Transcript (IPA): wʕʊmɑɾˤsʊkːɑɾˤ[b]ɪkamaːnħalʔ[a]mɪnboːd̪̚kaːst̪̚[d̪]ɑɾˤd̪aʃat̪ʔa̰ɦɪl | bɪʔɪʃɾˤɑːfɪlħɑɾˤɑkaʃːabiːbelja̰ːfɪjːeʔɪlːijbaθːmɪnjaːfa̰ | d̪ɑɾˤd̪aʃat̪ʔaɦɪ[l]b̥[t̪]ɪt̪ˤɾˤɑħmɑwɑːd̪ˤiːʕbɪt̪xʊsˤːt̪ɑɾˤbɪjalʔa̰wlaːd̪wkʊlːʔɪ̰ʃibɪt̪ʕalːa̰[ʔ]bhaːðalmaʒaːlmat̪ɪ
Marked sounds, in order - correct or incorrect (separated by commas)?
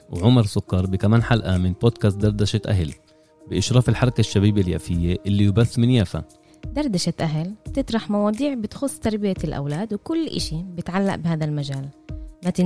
correct, correct, correct, correct, correct, correct